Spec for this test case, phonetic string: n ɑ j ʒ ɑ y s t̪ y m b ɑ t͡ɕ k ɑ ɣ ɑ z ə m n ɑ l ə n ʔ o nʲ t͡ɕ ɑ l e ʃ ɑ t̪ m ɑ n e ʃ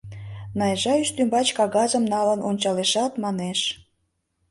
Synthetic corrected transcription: n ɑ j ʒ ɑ y ʃ t̪ y m b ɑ t͡ɕ k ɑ ɣ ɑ z ə m n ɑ l ə n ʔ o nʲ t͡ɕ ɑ l e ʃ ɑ t̪ m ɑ n e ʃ